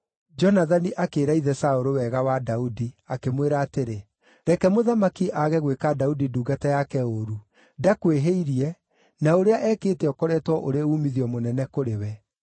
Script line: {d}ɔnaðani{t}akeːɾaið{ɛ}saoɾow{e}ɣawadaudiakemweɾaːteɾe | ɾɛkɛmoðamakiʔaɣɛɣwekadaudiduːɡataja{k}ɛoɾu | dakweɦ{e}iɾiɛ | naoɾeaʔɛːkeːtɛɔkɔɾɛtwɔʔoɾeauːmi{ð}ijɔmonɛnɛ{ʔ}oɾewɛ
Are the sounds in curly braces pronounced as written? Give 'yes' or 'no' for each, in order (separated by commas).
no, no, yes, no, yes, yes, yes, no